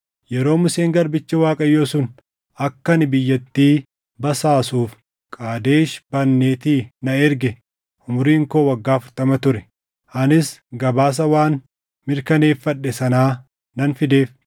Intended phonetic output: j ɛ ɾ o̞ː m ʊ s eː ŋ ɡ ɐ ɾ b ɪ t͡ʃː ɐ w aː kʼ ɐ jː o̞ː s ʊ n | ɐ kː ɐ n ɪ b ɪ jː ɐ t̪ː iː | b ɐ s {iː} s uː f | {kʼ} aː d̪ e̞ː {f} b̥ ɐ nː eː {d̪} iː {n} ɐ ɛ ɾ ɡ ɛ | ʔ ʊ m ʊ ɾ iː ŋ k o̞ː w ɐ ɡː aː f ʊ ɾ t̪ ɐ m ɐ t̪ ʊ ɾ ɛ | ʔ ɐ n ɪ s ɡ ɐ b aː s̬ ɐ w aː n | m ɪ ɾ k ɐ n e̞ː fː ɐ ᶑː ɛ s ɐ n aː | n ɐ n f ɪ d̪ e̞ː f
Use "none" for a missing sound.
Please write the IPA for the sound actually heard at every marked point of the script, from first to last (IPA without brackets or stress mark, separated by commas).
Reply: aː, kʼ, ʃ, t̪, n